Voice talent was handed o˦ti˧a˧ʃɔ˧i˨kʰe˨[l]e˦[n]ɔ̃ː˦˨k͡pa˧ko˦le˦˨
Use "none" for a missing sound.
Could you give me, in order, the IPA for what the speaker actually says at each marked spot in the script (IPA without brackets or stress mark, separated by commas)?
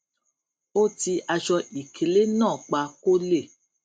l, n